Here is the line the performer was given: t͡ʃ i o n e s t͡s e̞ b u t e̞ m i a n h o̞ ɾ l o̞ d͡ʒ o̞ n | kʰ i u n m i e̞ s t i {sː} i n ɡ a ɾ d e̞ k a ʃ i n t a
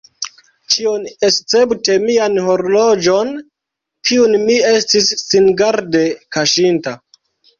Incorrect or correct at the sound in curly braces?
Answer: correct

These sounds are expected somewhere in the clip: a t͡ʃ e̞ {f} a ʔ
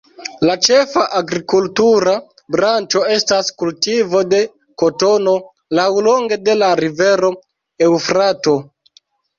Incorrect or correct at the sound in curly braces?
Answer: correct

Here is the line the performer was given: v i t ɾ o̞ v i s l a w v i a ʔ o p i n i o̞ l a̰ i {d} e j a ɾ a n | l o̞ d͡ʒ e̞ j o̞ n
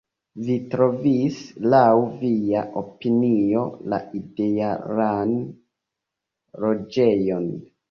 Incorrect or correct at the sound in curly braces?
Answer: correct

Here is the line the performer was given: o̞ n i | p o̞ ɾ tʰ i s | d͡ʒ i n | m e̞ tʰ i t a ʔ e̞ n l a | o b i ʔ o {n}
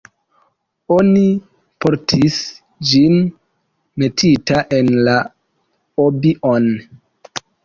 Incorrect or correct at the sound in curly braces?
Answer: correct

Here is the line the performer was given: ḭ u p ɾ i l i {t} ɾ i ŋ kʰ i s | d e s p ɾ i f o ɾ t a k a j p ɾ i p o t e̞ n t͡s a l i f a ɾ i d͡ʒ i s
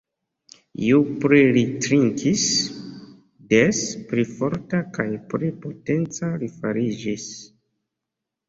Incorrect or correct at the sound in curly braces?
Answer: correct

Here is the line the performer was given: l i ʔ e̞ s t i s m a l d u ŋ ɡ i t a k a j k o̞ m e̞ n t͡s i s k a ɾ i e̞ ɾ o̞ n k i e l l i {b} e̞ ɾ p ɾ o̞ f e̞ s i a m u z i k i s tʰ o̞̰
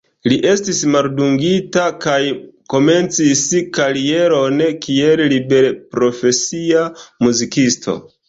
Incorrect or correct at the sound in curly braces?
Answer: correct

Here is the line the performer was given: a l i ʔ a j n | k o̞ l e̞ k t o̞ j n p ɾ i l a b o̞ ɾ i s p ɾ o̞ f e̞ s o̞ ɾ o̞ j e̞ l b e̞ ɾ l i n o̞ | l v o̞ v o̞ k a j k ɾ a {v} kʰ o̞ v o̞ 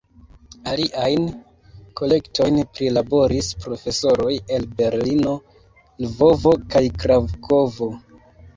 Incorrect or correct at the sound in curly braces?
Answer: correct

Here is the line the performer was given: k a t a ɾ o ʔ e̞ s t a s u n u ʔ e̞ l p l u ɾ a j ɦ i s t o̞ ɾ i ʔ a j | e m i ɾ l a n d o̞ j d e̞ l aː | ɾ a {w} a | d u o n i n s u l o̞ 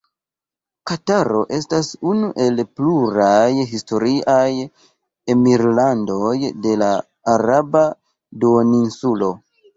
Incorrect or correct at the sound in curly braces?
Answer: incorrect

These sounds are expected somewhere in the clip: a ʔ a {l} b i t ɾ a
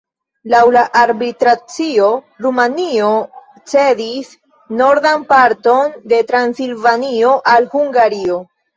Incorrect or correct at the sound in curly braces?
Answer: incorrect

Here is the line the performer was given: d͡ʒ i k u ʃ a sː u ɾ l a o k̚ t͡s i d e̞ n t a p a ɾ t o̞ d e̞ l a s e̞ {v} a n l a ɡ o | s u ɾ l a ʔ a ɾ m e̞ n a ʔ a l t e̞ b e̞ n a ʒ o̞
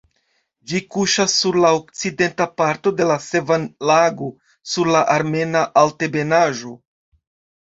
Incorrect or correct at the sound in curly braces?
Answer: correct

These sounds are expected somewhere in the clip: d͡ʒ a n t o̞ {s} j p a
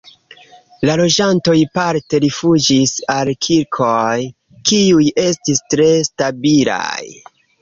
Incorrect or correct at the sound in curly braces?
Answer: incorrect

